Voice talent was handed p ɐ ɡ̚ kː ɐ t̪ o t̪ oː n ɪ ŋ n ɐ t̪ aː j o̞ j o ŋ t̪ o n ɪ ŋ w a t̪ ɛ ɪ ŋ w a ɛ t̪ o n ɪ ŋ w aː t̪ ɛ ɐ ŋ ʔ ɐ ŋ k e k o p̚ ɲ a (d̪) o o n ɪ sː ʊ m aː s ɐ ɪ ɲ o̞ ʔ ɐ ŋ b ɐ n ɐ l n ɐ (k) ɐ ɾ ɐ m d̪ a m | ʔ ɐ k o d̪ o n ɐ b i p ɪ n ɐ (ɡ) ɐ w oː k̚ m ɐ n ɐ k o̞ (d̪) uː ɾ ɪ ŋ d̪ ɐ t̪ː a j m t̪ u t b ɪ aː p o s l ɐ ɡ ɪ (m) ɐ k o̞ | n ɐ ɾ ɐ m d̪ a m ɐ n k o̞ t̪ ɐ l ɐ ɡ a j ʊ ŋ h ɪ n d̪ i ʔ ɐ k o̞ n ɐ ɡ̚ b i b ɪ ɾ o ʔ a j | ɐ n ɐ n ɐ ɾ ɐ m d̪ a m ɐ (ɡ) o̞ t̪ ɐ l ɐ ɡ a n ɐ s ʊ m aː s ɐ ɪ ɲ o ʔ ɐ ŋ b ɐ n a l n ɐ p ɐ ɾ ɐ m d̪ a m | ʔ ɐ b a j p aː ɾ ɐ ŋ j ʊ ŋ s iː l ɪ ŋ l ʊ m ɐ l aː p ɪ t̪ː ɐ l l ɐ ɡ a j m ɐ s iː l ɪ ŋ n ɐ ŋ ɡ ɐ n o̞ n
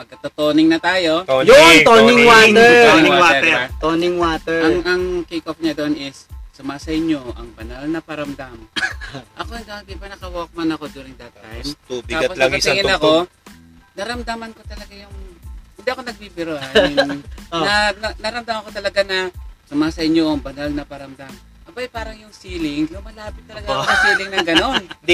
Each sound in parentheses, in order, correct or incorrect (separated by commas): correct, incorrect, incorrect, correct, incorrect, incorrect